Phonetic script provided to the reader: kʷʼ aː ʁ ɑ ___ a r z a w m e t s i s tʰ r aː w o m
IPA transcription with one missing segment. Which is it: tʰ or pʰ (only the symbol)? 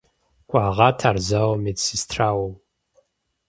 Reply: tʰ